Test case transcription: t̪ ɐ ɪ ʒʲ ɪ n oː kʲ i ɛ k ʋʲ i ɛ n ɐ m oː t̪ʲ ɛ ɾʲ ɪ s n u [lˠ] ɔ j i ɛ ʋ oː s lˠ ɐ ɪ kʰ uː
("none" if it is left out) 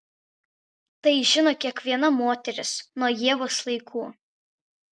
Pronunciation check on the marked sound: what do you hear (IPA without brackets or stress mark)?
none